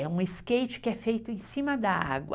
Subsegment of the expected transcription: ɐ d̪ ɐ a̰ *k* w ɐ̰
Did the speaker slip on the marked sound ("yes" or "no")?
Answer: yes